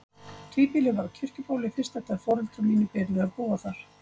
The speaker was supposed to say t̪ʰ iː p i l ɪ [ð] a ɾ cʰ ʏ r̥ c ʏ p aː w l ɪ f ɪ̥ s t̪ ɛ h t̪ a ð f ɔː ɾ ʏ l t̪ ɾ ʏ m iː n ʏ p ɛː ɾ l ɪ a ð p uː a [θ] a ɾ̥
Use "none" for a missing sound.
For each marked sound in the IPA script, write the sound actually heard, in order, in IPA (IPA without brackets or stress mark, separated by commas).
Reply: v, θ